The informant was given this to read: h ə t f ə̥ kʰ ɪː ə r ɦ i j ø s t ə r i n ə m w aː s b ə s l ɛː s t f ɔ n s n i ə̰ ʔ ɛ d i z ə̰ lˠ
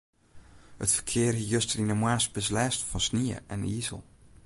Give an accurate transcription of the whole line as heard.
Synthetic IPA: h ə t f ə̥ kʰ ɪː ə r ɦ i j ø s t ə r i n ə m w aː s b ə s l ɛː s t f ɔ n s n i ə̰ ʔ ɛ n i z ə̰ lˠ

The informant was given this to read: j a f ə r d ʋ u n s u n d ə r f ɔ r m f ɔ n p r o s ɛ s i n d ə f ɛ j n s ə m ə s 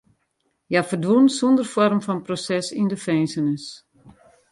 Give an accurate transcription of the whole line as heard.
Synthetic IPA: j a f ə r d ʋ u n s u n d ə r f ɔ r m f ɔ n p r o s ɛ s i n d ə f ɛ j n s ə n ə s

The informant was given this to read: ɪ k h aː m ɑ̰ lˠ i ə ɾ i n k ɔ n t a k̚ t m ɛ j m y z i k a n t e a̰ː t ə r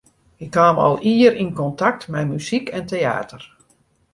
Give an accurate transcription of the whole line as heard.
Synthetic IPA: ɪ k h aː m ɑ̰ lˠ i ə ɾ i n k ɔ n t a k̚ t m ɛ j m y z i k ɛ n t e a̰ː t ə r

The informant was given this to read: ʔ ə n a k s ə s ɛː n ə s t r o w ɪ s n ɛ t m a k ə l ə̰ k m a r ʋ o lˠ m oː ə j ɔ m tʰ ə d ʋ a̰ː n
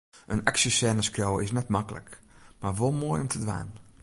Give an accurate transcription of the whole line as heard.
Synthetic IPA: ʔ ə n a k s ə s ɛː n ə s k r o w ɪ s n ɛ t m a k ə l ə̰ k m a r ʋ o lˠ m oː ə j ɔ m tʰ ə d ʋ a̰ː n

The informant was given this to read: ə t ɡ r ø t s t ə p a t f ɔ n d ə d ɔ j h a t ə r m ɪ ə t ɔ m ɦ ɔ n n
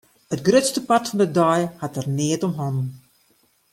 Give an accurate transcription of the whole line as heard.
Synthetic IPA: ə t ɡ r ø t s t ə p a t f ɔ n d ə d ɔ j h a t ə r n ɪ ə t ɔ m ɦ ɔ n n

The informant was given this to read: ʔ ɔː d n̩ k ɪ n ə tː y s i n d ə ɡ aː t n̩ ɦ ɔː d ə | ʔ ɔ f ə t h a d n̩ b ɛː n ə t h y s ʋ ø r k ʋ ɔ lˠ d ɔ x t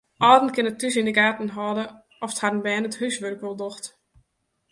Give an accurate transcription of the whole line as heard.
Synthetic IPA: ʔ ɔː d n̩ k ɪ n ə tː y s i n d ə ɡ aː t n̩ ɦ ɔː d ə | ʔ ɔ f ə t h a d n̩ b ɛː n ə t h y s ʋ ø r k ʋ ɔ lˠ d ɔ x t

